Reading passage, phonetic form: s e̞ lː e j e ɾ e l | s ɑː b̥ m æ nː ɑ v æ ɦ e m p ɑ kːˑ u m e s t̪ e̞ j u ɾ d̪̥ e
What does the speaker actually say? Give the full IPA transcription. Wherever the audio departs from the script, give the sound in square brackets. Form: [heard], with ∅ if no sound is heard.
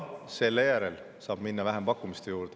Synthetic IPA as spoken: s e̞ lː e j [æ] ɾ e l | s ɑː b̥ m [i] nː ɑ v æ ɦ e m p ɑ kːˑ u m [i] s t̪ e̞ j [uː] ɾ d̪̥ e